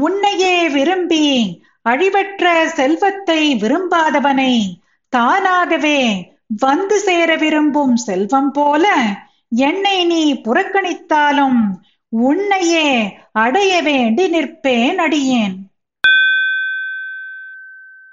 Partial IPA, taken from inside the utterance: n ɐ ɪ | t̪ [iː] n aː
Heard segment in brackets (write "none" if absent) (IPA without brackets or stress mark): aː